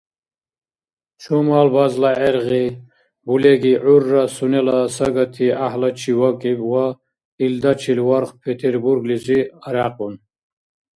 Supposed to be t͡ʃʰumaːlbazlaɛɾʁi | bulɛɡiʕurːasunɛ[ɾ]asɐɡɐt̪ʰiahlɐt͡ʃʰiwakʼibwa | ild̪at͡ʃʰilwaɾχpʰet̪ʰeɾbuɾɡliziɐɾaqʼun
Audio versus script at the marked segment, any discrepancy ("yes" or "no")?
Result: yes